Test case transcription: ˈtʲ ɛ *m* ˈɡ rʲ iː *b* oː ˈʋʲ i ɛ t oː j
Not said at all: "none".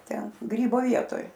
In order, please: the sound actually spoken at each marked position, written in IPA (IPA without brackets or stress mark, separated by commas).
n, b